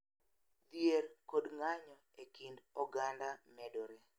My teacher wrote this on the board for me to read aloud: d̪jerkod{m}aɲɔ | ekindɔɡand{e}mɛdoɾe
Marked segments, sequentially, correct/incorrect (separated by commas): incorrect, incorrect